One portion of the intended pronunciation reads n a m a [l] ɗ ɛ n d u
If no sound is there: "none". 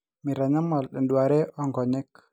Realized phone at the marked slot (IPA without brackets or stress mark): l